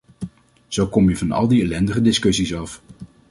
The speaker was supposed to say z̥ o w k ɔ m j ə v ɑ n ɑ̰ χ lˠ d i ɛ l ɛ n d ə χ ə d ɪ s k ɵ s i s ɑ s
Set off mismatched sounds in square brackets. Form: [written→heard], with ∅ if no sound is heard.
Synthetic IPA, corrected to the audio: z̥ o w k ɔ m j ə v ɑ n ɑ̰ [χ→∅] lˠ d i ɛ l ɛ n d ə χ ə d ɪ s k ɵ s i s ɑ [s→f]